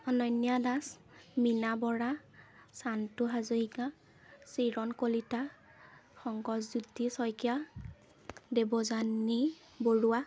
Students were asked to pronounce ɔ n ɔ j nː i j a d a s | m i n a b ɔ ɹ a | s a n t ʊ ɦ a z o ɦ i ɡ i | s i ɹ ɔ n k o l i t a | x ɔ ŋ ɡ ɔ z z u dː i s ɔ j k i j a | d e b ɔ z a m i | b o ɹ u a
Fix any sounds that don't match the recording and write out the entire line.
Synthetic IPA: ɔ n ɔ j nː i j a d a s | m i n a b ɔ ɹ a | s a n t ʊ ɦ a z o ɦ i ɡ a | s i ɹ ɔ n k o l i t a | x ɔ ŋ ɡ ɔ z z u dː i s ɔ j k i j a | d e b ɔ z a n i | b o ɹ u a